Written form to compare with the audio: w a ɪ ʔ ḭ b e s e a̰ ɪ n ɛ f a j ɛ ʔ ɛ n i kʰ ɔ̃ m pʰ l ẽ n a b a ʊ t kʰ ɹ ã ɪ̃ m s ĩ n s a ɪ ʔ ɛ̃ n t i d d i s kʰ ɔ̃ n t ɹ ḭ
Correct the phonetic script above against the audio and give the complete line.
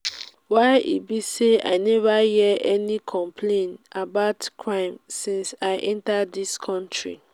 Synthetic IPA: w a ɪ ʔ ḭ b i s e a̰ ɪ n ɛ v a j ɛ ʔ ɛ n i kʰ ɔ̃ m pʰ l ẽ n a b a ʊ t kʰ ɹ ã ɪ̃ m s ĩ n s a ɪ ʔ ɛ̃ n t a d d i s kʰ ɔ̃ n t ɹ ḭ